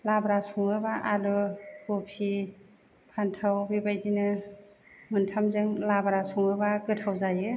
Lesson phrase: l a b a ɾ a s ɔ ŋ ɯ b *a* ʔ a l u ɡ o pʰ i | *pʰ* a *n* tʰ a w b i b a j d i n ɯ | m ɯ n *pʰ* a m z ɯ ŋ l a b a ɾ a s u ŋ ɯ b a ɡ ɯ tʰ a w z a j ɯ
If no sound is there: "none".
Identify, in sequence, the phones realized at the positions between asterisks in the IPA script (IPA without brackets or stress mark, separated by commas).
a, pʰ, n, tʰ